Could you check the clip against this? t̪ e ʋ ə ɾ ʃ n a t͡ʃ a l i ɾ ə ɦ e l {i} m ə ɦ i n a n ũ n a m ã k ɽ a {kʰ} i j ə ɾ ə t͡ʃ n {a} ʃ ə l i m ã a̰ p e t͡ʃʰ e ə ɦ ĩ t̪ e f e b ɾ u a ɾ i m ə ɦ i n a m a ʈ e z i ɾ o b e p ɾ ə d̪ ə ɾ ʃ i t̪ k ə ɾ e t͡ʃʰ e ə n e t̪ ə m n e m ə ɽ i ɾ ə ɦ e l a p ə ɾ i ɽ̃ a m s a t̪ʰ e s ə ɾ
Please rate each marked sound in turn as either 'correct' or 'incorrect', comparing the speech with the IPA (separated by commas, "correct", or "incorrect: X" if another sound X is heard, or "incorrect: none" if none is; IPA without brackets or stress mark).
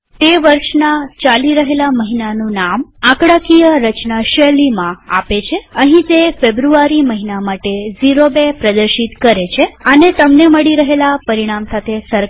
incorrect: a, incorrect: k, correct